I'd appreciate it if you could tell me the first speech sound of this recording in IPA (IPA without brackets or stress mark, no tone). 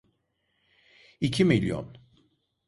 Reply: i